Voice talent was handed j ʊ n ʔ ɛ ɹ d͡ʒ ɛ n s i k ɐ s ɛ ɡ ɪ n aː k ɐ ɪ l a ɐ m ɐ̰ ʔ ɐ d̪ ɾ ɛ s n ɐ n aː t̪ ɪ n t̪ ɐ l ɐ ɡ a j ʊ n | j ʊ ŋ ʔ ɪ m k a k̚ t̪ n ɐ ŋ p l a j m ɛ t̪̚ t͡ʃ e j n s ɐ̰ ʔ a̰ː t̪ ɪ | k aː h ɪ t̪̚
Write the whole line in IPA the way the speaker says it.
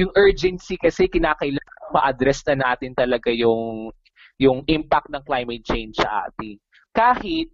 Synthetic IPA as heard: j ʊ ŋ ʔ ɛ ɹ d͡ʒ ɛ n s i k ɐ s ɛ k ɪ n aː k ɐ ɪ l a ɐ m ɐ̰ ʔ ɐ d̪ ɾ ɛ s n ɐ n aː t̪ ɪ n t̪ ɐ l ɐ ɡ a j ʊ ŋ | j ʊ ŋ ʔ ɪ m p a k̚ t̪ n ɐ ŋ k l a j m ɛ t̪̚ t͡ʃ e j n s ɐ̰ ʔ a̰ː t̪ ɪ | k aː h ɪ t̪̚